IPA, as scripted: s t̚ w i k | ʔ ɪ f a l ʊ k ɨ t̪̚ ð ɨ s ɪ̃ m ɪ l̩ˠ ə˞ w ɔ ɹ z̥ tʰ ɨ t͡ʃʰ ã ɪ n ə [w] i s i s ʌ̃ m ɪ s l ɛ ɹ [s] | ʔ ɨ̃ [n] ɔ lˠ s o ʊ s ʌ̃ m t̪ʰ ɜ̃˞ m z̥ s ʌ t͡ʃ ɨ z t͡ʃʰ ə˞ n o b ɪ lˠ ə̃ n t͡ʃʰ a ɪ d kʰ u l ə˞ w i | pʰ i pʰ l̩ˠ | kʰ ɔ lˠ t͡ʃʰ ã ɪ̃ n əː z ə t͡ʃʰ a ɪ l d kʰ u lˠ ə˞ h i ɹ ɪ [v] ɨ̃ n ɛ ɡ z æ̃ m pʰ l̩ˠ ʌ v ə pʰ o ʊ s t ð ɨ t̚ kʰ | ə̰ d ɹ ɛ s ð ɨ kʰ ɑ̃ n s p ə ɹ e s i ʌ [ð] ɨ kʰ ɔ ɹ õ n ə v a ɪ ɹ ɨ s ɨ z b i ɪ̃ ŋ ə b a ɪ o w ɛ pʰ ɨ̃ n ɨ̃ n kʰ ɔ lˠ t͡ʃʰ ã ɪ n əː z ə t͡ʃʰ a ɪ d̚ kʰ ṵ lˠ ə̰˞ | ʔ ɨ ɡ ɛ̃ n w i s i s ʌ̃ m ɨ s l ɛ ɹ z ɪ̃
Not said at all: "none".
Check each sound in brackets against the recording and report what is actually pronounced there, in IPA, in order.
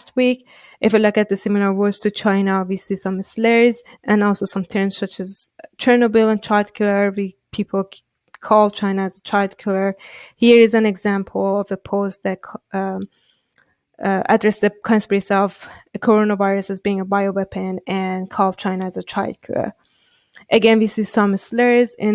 w, z, n, z, v

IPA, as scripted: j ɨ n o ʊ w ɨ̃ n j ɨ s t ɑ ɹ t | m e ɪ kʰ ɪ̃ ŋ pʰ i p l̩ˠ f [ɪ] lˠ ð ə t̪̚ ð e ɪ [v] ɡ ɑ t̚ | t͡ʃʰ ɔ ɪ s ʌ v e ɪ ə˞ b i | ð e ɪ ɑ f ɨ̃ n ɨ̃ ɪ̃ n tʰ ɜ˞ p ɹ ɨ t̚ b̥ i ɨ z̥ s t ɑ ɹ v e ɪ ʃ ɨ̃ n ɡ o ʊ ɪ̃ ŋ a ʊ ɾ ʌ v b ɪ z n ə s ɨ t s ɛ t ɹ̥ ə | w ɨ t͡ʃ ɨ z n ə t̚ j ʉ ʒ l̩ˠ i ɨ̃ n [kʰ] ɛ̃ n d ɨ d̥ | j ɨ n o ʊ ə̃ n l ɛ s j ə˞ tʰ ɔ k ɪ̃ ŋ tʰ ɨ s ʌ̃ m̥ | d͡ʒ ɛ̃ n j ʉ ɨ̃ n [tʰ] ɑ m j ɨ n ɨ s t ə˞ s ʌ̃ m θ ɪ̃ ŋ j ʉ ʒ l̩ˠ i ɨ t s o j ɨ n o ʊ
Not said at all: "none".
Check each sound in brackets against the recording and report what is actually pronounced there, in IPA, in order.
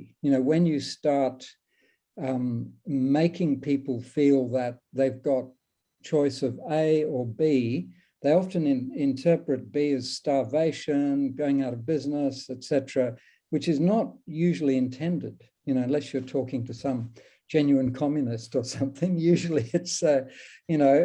i, v, tʰ, kʰ

